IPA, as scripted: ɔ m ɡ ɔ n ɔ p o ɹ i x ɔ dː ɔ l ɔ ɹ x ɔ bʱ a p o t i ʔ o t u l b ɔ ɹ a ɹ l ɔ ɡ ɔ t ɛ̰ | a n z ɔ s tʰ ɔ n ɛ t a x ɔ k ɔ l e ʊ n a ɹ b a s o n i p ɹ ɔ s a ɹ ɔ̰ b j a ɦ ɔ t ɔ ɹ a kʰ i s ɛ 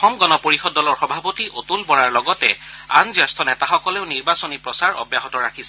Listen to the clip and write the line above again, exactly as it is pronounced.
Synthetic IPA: ɔ m ɡ ɔ n ɔ p o ɹ i x ɔ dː ɔ l ɔ ɹ x ɔ bʱ a p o t i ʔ o t u l b ɔ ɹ a ɹ l ɔ ɡ ɔ t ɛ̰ | a n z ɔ s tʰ ɔ n ɛ t a x ɔ k ɔ l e ʊ n i ɹ b a s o n i p ɹ ɔ s a ɹ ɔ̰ b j a ɦ ɔ t ɔ ɹ a kʰ i s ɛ